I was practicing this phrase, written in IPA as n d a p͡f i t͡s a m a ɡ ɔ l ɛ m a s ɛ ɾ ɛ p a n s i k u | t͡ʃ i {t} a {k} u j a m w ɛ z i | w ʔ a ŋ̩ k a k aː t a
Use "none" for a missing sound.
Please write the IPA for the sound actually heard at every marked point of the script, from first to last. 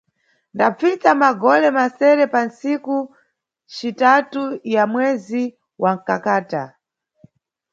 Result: t, t

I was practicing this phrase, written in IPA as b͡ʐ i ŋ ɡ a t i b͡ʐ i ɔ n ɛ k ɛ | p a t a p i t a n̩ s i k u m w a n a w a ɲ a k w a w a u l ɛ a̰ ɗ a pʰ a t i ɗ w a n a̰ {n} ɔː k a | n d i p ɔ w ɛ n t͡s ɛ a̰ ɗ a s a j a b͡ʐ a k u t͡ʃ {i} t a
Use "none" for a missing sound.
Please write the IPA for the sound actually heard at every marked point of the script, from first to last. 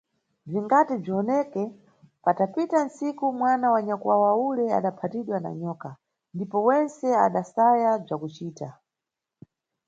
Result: ɲ, iː

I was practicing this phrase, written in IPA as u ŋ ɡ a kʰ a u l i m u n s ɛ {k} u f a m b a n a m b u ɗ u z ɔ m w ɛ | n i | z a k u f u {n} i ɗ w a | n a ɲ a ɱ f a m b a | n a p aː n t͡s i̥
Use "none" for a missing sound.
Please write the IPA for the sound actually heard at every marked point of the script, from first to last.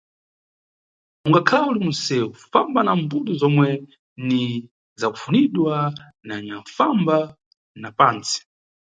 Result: none, n

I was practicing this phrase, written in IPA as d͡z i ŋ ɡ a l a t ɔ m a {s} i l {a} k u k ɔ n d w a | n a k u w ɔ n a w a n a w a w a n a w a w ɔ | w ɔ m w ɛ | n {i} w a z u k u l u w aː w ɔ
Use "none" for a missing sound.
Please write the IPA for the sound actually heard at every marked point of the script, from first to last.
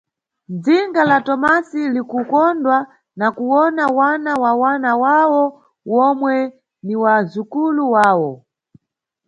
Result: s, i, i

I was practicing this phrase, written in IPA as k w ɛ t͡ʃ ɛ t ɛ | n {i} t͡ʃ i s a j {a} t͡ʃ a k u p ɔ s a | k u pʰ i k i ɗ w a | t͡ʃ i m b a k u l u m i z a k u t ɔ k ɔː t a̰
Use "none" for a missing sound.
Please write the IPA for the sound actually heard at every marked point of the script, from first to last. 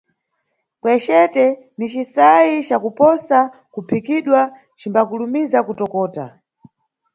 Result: i, i

